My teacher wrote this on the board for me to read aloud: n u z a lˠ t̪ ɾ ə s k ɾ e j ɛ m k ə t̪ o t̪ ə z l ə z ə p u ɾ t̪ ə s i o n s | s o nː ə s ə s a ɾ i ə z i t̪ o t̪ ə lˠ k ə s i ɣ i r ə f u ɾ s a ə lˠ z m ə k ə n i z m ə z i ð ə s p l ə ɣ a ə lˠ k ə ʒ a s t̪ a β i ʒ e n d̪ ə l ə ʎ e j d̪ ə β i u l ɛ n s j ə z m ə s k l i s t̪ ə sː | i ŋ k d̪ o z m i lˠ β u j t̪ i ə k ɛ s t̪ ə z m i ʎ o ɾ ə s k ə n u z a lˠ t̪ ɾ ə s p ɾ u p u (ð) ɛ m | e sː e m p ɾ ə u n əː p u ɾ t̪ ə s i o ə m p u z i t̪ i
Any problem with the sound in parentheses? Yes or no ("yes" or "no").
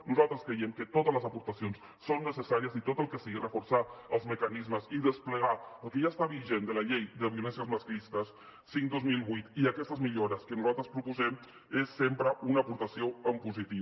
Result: yes